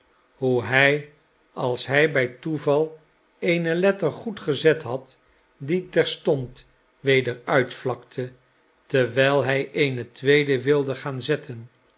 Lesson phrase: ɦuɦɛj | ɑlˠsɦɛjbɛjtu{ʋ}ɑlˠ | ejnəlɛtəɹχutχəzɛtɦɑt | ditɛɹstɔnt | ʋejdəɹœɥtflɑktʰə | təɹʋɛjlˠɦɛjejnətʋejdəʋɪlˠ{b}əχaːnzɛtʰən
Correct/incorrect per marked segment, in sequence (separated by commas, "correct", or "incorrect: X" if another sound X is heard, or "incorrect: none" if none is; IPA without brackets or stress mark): incorrect: v, incorrect: d